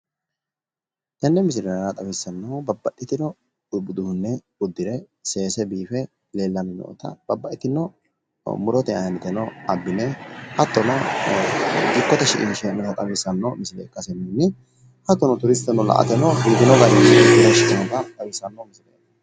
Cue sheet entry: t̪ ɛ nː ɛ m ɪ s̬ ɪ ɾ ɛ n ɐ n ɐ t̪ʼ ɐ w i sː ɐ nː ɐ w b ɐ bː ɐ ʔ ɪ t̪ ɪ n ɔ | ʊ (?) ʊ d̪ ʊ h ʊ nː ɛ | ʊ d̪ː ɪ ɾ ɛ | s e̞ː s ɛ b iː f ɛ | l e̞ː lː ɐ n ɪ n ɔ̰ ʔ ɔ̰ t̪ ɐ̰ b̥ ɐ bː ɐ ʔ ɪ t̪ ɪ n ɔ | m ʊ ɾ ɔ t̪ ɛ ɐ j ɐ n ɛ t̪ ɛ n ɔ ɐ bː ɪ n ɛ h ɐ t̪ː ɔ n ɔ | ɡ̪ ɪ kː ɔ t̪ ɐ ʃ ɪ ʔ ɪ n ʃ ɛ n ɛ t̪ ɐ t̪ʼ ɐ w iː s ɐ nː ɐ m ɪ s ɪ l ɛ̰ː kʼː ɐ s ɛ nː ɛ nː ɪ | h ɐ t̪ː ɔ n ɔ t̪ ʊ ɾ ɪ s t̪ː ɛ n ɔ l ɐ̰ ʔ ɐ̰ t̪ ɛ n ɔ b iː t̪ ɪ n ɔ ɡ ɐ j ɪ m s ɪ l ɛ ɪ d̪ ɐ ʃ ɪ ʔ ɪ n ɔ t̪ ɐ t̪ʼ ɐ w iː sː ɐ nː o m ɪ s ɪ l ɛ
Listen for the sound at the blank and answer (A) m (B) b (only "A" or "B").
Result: B